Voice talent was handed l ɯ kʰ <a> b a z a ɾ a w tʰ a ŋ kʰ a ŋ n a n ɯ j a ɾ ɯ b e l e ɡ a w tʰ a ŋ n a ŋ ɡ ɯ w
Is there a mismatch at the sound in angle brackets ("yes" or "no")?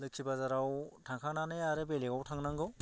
yes